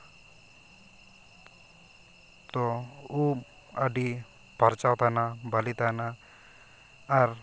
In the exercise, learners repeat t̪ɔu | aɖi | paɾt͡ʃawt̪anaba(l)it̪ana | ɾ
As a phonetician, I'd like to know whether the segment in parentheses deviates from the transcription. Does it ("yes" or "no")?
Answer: no